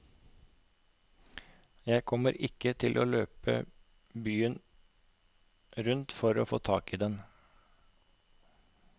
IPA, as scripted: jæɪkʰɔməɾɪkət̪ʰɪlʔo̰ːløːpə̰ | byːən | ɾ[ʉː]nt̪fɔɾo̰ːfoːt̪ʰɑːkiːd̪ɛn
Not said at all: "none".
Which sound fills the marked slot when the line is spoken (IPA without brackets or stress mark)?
ʉ